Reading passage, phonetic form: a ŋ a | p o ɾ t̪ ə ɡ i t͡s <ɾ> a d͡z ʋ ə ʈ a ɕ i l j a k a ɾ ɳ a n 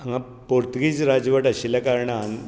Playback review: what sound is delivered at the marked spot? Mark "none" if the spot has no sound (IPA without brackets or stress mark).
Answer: ɾ